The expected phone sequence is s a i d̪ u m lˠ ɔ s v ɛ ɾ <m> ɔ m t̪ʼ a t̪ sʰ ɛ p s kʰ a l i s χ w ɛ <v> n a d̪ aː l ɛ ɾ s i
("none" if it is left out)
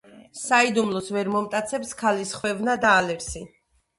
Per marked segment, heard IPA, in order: m, v

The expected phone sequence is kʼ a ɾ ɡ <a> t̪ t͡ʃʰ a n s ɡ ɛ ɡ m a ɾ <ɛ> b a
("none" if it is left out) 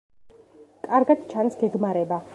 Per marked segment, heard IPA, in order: a, ɛ

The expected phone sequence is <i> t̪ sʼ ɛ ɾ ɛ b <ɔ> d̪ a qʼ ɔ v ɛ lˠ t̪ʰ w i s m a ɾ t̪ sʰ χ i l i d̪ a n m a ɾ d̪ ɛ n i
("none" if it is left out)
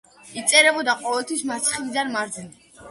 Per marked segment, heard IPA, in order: i, ɔ

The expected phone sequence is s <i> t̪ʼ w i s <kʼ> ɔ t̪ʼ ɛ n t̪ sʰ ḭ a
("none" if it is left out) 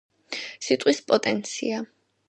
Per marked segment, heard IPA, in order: i, pʼ

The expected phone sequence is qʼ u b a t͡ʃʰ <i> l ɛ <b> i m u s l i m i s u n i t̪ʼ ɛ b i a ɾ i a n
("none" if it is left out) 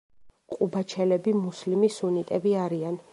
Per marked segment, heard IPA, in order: ɛ, b

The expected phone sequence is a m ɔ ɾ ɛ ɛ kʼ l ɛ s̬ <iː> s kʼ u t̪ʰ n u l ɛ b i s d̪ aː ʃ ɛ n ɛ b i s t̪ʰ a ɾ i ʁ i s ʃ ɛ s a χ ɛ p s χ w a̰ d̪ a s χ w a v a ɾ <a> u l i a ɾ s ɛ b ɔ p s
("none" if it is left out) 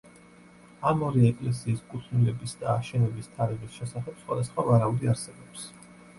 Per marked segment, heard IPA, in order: iː, a

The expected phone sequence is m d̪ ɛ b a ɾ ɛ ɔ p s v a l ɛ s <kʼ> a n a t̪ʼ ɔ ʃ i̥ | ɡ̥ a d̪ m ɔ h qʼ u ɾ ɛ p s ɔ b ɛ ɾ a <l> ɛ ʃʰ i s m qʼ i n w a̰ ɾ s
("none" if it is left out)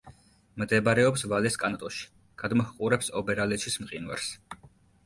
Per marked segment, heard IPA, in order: kʼ, l

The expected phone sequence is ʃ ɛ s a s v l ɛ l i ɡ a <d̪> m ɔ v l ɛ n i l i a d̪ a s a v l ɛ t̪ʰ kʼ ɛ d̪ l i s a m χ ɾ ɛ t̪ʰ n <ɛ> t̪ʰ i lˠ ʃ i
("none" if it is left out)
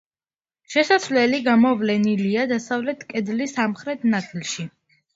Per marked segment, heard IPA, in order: none, a

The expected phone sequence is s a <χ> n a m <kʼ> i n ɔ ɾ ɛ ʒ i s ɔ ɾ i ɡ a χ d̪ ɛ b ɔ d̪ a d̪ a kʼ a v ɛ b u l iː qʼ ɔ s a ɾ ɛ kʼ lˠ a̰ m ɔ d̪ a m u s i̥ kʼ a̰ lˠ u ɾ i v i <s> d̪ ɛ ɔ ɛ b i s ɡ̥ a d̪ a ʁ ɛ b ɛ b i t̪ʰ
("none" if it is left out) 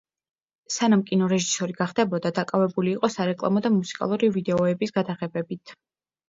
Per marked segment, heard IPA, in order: none, kʼ, none

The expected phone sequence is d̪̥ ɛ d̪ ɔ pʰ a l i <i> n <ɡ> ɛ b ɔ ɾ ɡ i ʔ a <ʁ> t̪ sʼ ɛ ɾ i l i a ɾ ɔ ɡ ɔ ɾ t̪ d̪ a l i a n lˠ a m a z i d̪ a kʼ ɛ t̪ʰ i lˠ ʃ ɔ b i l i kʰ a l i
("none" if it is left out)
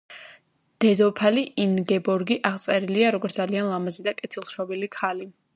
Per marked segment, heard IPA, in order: i, ɡ, ʁ

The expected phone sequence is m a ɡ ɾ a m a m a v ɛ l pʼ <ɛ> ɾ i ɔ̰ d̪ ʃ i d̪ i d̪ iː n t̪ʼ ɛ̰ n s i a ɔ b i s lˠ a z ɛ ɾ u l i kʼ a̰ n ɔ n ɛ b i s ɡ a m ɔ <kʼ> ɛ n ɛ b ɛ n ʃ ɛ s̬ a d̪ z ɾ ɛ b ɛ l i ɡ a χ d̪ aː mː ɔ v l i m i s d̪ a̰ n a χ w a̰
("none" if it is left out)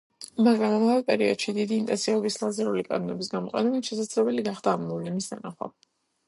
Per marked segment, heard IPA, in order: ɛ, qʼ

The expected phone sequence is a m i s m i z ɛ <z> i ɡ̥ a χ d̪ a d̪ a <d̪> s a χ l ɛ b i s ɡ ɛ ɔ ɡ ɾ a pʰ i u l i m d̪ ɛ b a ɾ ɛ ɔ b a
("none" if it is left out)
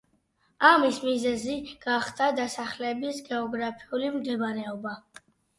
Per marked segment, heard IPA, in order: z, none

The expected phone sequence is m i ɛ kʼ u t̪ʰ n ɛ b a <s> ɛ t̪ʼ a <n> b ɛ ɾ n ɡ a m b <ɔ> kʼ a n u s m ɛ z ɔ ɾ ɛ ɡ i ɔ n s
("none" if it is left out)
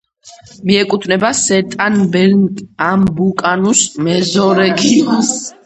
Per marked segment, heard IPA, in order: s, n, u

